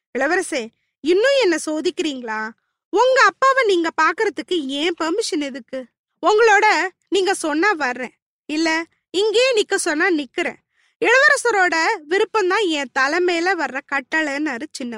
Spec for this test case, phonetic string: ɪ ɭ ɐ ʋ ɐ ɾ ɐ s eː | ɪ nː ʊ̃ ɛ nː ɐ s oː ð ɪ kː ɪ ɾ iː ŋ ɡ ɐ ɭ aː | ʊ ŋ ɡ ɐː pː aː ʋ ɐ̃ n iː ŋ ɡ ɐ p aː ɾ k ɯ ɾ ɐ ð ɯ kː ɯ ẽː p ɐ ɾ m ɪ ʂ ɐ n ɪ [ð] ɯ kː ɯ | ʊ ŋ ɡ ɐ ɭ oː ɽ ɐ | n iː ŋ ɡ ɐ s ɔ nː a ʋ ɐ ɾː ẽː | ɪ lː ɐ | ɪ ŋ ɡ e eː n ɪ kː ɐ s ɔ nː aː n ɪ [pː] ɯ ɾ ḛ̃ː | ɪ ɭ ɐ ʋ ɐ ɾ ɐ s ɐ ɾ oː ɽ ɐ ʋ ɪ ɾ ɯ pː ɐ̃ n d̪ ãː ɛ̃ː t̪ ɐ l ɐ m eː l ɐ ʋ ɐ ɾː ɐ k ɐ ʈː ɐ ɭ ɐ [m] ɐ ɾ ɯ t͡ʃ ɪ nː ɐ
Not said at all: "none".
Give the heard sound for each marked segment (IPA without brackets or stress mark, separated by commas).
ð, kː, n